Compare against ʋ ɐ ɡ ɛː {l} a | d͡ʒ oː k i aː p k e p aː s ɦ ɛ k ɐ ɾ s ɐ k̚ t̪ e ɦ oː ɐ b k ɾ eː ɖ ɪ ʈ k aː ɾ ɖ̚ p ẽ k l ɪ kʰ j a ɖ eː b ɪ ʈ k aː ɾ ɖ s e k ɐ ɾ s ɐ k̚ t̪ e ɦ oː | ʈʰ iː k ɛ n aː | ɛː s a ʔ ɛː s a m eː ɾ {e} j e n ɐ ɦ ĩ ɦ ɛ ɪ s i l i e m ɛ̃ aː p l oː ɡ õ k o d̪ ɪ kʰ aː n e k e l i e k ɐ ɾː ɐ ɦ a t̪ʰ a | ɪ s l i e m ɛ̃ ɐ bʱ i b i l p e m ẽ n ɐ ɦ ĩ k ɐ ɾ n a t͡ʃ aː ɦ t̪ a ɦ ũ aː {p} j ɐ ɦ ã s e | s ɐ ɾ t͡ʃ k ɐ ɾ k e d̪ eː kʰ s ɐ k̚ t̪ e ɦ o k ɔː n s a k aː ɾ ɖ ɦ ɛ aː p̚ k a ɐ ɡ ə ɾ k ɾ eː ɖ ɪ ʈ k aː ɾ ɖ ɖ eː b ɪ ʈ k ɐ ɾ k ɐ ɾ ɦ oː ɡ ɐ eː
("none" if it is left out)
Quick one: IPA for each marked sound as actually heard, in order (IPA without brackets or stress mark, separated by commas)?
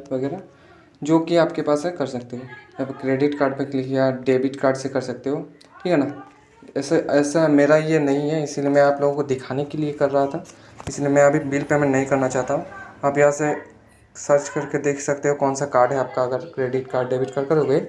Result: ɾ, a, p